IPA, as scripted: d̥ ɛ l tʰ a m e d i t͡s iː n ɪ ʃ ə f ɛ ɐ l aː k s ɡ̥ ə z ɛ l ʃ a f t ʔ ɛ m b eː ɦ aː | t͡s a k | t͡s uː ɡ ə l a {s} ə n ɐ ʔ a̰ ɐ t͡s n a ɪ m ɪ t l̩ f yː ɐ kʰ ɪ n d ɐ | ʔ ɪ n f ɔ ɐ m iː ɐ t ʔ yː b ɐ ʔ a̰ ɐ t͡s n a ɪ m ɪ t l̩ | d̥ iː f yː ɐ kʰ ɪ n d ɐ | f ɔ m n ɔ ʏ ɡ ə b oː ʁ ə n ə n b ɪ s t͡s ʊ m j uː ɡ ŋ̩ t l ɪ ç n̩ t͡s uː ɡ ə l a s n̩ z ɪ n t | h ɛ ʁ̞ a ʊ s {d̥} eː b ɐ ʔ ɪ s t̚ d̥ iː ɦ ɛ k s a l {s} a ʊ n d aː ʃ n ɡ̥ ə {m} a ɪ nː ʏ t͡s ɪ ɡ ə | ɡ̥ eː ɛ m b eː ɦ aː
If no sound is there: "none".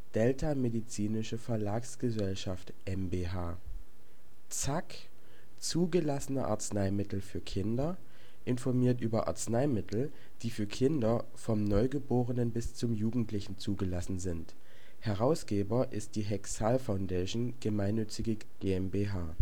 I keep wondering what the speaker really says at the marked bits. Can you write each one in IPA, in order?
s, ɡ̥, f, m

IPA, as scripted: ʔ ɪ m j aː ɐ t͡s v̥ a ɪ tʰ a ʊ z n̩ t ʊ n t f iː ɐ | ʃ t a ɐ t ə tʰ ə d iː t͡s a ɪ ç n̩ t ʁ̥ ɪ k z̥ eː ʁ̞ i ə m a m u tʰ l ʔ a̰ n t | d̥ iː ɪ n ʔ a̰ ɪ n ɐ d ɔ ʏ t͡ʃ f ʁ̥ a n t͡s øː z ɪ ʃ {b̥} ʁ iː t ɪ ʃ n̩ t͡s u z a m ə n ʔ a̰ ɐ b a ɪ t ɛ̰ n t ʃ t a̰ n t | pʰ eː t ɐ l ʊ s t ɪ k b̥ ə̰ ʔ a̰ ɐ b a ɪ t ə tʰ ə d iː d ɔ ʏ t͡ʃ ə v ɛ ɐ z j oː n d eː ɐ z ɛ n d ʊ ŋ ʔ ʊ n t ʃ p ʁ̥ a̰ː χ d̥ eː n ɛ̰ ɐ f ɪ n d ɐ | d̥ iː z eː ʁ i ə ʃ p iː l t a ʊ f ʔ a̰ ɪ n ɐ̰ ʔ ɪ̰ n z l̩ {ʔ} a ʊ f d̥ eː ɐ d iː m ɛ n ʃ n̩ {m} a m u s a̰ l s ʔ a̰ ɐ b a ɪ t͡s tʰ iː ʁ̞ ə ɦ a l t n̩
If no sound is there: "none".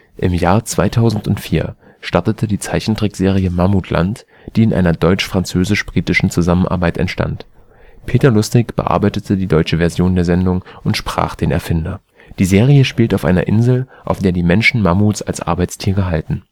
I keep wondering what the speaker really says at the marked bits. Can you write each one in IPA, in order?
b̥, ʔ, m

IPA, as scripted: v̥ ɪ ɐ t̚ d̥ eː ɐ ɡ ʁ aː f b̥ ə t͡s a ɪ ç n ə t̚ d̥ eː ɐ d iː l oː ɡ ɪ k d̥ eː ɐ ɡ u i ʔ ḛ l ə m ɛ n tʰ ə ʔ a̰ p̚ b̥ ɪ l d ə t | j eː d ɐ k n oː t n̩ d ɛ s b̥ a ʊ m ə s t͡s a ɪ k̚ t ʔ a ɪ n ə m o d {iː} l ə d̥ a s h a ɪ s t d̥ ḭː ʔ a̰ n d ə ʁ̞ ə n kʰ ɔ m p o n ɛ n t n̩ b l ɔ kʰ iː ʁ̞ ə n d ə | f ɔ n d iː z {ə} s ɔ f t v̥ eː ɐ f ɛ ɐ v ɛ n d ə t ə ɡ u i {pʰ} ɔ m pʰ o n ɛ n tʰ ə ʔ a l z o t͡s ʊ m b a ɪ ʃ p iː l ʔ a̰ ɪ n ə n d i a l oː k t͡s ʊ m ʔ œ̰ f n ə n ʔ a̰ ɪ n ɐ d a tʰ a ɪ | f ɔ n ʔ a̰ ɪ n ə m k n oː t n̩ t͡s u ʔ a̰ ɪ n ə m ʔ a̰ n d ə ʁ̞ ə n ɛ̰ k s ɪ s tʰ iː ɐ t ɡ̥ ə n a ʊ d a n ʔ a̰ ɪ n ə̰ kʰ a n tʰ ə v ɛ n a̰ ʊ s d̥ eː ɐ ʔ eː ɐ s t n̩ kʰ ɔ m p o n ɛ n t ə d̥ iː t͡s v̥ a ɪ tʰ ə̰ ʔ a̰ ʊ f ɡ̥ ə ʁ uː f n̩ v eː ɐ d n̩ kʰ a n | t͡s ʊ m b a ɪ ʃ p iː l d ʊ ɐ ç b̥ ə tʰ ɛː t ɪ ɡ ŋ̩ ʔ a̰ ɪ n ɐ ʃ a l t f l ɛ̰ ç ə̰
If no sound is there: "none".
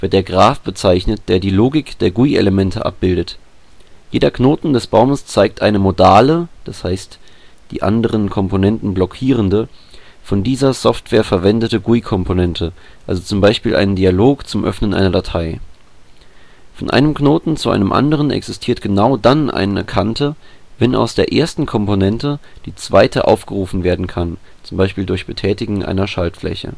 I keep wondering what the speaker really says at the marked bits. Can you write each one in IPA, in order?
aː, ɐ, kʰ

